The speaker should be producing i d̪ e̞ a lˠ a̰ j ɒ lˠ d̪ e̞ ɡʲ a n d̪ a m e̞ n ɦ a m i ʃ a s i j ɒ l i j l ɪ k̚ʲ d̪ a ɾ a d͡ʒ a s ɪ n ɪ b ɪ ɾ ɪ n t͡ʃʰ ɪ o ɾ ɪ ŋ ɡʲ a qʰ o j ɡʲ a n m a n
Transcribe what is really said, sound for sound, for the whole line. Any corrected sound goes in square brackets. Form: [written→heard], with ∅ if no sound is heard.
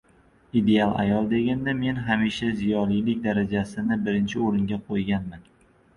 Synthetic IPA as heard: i d̪ e̞ a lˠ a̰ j ɒ lˠ d̪ e̞ ɡʲ a n d̪ a m e̞ n ɦ a m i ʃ a [s→z] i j ɒ l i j l ɪ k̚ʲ d̪ a ɾ a d͡ʒ a s ɪ n ɪ b ɪ ɾ ɪ n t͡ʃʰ ɪ o ɾ ɪ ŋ ɡʲ a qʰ o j ɡʲ a n m a n